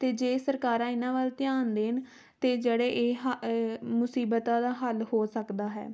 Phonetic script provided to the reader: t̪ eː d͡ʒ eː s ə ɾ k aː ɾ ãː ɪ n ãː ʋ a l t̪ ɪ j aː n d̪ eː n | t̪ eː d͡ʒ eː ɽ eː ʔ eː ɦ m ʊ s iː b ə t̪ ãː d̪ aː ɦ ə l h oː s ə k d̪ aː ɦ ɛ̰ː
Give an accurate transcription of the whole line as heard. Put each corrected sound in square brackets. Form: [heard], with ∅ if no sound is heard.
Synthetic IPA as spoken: t̪ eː d͡ʒ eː s ə ɾ k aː ɾ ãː ɪ n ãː ʋ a l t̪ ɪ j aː n d̪ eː n | t̪ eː d͡ʒ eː ɽ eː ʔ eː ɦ m ʊ s iː b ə t̪ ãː d̪ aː ɦ ə l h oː s ə k d̪ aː ɦ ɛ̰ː